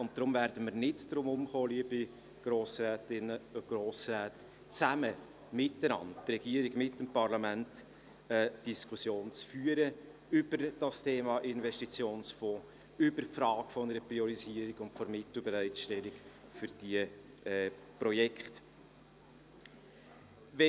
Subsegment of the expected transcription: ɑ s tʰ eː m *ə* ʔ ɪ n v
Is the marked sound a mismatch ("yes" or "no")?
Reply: yes